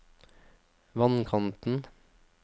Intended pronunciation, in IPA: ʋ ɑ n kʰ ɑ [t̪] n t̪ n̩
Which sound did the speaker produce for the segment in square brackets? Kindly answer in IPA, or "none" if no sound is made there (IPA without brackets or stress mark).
none